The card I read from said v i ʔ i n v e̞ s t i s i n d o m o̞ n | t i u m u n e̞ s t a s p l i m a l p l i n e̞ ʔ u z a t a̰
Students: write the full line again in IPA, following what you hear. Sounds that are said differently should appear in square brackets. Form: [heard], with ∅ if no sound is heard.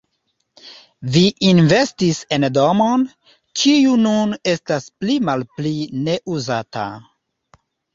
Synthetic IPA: v i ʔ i n v e̞ s t i s [e] n d o m o̞ n | [t͡ʃ] i u [n] u n e̞ s t a s p l i m a l p l i n e̞ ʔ u z a t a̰